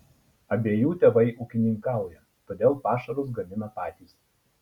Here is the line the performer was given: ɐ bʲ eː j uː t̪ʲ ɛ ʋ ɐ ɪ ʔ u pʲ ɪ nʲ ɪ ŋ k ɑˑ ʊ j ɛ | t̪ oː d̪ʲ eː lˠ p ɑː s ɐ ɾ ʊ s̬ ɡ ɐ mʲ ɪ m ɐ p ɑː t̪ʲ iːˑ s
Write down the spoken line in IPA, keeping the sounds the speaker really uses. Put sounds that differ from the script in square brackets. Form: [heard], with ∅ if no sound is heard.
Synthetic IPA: ɐ bʲ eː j uː t̪ʲ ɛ ʋ ɐ ɪ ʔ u [kʲ] ɪ nʲ ɪ ŋ k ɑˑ ʊ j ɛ | t̪ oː d̪ʲ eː lˠ p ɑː [ʃ] ɐ ɾ ʊ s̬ ɡ ɐ mʲ ɪ [n] ɐ p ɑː t̪ʲ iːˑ s